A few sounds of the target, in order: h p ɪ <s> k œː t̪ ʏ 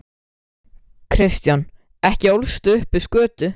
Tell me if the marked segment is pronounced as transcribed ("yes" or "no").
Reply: yes